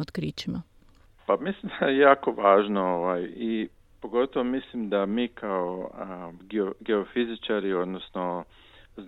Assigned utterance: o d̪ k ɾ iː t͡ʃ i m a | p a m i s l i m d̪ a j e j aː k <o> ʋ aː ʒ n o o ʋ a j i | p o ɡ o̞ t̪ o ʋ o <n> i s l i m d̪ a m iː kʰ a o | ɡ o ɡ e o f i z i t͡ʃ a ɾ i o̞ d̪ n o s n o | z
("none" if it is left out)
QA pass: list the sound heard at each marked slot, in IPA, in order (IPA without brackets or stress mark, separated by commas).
o, m